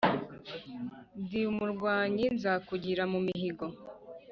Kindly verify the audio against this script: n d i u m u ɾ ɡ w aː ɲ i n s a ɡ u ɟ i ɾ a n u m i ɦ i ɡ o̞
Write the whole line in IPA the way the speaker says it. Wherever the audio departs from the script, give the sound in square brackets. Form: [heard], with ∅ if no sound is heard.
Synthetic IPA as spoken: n d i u m u ɾ ɡ w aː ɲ i n [z] a [k] u ɟ i ɾ a [m] u m i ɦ i ɡ o̞

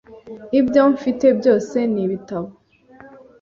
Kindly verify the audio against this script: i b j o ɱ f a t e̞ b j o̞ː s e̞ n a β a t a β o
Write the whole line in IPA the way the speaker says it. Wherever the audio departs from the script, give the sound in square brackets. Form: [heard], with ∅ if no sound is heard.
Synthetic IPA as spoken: i b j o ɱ f [i] t e̞ b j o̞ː s e̞ n [i] β [i] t a β o

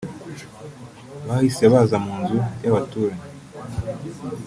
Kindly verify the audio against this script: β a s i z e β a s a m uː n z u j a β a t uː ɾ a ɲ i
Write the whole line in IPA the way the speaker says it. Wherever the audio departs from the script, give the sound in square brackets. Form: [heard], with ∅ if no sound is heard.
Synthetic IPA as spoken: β a [h] i [s] e β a [z] a m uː n z u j a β a t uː ɾ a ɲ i

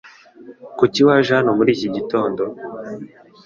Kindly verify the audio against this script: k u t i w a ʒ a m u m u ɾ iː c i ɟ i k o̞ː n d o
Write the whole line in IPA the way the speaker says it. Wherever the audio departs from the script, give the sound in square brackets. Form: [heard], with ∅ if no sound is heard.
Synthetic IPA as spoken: k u [c] i w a ʒ a [n] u m u ɾ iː c i ɟ i [t] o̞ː n d o

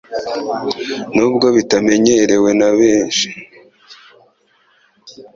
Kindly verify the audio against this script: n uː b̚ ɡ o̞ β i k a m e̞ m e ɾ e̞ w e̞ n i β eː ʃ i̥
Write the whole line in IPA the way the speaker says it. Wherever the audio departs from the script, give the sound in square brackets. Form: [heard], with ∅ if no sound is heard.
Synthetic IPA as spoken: n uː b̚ ɡ o̞ β i [t] a m e̞ [ɲ] e ɾ e̞ w e̞ n [a] β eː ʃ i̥

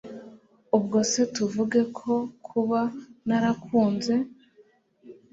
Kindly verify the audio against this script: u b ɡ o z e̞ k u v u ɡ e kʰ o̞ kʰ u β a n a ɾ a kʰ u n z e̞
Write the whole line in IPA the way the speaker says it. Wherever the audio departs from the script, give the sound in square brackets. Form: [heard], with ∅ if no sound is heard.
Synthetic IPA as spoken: u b ɡ o [s] e̞ [t] u v u ɡ e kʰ o̞ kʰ u β a n a ɾ a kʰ [uː] n z e̞

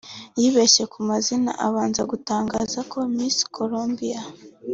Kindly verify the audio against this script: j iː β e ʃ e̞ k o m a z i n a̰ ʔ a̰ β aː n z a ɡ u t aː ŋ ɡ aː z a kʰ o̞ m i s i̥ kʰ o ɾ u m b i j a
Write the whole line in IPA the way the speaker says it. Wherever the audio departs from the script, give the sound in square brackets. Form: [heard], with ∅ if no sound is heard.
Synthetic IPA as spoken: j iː β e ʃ e̞ k [u] m a z i n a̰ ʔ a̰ β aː n z a ɡ u t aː ŋ ɡ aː z a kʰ o̞ m i s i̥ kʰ o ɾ [o] m b i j a

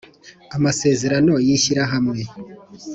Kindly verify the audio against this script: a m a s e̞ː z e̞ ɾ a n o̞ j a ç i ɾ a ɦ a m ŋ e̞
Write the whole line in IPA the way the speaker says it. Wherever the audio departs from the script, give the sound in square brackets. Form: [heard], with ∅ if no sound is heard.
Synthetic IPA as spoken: a m a s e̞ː z e̞ ɾ a n o̞ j [i] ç i ɾ a ɦ a m ŋ e̞

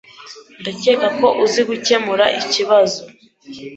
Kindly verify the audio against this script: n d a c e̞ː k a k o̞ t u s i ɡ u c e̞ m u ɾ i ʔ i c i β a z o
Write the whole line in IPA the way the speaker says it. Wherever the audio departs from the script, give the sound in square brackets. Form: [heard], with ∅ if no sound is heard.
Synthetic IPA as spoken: n d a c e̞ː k a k o̞ [ʔ] u [z] i ɡ u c e̞ m u ɾ [a] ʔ i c i β a z o

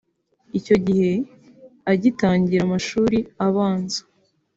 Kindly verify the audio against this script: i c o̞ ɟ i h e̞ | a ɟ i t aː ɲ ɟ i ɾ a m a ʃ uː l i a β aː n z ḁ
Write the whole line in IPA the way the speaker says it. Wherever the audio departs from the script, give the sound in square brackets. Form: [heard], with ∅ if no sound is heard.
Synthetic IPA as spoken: i c o̞ ɟ i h e̞ | a ɟ i t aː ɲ ɟ i ɾ a m a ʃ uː [ɾ] i a β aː n z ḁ

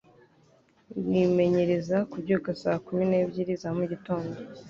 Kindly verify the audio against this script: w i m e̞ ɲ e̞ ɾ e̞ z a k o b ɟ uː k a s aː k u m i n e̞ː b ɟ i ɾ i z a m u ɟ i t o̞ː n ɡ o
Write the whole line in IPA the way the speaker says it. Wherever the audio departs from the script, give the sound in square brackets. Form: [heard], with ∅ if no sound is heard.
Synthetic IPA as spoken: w i m e̞ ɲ e̞ ɾ e̞ z a k [u] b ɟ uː k a s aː k u m i n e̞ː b ɟ i ɾ i z a m u ɟ i t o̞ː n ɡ o

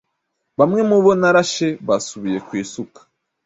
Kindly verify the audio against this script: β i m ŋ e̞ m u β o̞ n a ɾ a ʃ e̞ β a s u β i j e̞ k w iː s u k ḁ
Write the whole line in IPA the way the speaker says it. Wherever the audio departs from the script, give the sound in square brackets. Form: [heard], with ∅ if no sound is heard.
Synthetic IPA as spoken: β [a] m ŋ e̞ m u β o̞ n a ɾ a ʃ e̞ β a s u β i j e̞ k w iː s u k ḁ

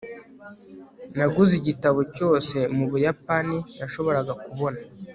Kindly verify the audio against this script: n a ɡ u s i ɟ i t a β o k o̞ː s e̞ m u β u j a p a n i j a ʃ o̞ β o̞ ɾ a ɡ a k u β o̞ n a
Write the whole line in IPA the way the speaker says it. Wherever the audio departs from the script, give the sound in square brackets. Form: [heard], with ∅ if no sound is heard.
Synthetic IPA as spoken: n a ɡ u [z] i ɟ i t a β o [c] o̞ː s e̞ m u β u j a p a n i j a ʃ o̞ β o̞ ɾ a ɡ a k u β o̞ n a

